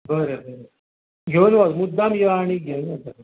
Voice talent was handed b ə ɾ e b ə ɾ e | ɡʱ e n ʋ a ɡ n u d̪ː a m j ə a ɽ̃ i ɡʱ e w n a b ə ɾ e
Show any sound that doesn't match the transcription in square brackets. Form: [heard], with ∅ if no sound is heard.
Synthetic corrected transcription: b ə ɾ e b ə ɾ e | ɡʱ e n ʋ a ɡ [m] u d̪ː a m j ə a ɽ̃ i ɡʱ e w n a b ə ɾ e